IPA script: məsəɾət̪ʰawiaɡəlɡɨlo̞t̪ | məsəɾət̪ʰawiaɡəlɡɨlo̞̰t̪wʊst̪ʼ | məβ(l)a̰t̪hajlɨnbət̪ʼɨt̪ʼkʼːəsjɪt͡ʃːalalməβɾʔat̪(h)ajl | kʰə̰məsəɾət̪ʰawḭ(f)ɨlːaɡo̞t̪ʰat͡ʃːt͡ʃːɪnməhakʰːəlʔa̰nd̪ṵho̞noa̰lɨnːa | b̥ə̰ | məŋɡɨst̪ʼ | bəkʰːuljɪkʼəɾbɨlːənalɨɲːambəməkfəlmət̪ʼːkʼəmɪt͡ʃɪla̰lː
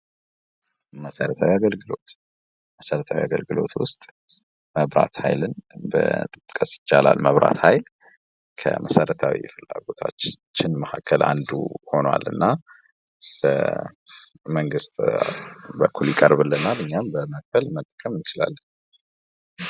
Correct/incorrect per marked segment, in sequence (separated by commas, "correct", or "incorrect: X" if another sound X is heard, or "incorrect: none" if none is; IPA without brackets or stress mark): incorrect: ɾ, correct, correct